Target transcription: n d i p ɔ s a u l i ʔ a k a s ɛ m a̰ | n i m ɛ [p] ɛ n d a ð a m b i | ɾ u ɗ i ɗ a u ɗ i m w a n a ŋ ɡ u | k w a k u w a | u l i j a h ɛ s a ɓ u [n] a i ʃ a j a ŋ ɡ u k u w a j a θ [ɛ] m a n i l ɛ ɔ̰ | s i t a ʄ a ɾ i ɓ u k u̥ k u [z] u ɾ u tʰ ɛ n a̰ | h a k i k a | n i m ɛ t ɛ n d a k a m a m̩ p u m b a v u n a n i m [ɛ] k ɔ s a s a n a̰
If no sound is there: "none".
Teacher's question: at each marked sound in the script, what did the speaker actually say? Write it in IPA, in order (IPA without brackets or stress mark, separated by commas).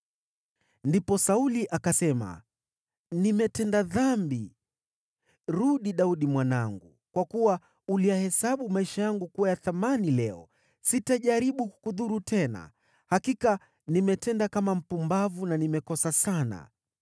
t, m, a, ð, ɛ